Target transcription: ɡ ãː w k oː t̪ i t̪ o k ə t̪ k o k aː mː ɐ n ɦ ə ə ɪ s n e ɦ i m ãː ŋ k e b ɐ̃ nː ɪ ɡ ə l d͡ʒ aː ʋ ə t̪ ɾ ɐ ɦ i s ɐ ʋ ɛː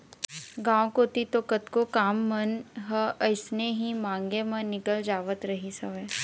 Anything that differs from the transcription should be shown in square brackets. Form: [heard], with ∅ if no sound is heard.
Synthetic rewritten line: ɡ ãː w k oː t̪ i t̪ o k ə t̪ k o k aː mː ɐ n ɦ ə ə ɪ s n e ɦ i m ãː ŋ [ɡ] e [m] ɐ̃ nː ɪ [k] ə l d͡ʒ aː ʋ ə t̪ ɾ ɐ ɦ i s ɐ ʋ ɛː